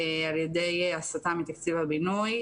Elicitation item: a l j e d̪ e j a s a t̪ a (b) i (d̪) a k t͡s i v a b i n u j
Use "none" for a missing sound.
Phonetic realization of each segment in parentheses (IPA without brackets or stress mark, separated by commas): m, t̪